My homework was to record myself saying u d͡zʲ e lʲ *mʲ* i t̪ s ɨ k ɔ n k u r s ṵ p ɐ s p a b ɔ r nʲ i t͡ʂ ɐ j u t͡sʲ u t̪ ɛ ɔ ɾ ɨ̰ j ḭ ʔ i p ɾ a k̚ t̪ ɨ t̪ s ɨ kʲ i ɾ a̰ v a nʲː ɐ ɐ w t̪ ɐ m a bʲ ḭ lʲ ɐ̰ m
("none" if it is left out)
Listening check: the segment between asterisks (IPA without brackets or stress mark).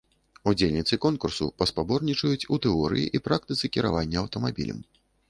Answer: nʲ